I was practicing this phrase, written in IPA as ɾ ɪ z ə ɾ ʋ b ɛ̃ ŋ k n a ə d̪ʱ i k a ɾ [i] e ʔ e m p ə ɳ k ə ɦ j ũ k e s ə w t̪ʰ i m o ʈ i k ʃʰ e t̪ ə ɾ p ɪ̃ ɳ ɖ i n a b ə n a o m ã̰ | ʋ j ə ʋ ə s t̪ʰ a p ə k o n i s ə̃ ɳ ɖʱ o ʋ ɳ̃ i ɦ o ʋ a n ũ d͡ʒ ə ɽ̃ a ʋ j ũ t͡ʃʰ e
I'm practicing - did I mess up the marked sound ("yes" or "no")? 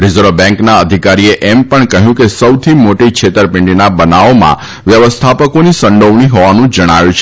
no